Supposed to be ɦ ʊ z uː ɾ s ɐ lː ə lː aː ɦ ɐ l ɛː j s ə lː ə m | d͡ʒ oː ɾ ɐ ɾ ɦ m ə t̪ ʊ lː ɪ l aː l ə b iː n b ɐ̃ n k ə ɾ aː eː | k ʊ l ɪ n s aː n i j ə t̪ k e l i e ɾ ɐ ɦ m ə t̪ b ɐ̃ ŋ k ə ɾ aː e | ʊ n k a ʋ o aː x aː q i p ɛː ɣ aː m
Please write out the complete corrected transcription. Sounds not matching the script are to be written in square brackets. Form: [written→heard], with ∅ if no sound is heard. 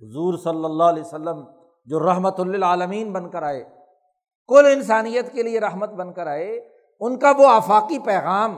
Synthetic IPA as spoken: ɦ ʊ z uː ɾ s ɐ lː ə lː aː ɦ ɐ l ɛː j s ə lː ə m | d͡ʒ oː ɾ ɐ [ɾ→∅] ɦ m ə t̪ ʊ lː ɪ l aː l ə [b→m] iː n b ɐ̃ n k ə ɾ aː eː | k ʊ l ɪ n s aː n i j ə t̪ k e l i e ɾ ɐ ɦ m ə t̪ b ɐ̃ [ŋ→n] k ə ɾ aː e | ʊ n k a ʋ o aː [x→f] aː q i p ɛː ɣ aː m